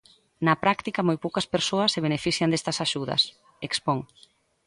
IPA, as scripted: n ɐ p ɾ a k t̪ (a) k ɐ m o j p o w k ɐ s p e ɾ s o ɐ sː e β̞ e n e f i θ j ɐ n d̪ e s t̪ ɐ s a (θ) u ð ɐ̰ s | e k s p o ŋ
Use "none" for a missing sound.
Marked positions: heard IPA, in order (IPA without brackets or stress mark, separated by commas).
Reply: i, ʃ